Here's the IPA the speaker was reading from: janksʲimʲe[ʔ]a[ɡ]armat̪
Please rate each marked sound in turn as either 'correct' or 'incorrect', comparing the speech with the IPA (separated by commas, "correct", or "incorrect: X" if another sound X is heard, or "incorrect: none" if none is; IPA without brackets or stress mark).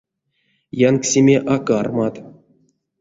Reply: correct, incorrect: k